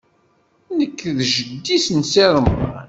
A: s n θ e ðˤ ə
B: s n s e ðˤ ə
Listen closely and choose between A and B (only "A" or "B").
B